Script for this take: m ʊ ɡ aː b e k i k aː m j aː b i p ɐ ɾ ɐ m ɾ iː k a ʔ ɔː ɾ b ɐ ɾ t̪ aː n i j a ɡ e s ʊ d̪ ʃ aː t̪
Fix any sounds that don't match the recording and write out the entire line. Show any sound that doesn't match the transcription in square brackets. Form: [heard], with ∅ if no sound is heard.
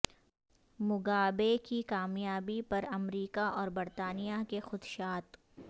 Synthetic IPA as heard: m ʊ ɡ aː b e k i k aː m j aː b i p ɐ ɾ ɐ m ɾ iː k a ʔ ɔː ɾ b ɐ ɾ t̪ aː n i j a [k] e [x] ʊ d̪ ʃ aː t̪